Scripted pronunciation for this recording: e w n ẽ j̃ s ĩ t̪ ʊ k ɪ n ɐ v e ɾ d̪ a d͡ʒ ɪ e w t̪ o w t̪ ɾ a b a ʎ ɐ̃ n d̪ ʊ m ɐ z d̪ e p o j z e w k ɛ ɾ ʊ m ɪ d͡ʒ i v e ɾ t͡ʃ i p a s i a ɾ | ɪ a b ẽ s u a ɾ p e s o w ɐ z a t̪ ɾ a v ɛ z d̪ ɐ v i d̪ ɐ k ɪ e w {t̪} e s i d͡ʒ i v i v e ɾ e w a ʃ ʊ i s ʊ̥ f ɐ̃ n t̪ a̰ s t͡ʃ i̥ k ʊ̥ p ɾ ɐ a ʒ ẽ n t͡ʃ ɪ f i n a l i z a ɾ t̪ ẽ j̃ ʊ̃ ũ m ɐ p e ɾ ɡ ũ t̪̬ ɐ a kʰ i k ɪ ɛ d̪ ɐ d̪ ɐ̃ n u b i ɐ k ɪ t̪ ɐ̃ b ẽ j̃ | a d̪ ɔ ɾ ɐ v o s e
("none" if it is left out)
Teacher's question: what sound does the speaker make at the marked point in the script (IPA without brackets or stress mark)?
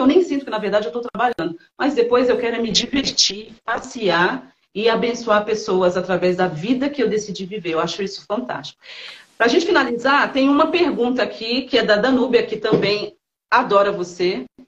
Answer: d̪